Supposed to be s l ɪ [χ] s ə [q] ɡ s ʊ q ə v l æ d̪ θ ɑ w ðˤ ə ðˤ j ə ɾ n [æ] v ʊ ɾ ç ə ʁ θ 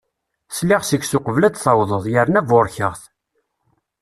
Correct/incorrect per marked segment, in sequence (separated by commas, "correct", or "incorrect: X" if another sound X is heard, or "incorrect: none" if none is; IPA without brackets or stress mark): incorrect: ʁ, incorrect: none, correct